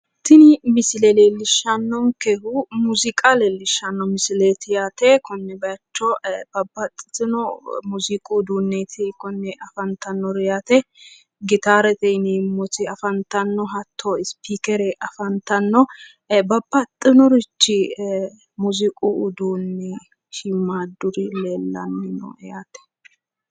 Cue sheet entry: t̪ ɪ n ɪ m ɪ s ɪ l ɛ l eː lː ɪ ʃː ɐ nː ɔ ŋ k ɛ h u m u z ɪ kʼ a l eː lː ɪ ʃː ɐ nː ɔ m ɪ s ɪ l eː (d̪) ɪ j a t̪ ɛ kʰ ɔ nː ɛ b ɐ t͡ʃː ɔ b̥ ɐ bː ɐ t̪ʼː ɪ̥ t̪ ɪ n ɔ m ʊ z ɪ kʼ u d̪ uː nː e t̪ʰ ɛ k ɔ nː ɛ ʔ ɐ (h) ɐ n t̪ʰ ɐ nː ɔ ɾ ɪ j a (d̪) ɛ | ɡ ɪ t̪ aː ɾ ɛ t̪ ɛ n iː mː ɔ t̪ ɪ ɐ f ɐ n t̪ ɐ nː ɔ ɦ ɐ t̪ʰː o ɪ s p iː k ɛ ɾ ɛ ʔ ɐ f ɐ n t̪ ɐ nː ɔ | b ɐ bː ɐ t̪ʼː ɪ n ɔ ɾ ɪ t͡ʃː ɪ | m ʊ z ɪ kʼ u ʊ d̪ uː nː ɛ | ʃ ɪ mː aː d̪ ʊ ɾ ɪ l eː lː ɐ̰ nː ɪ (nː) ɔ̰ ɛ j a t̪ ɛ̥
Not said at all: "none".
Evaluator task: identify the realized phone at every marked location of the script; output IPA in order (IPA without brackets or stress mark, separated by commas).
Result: t̪, f, t̪, n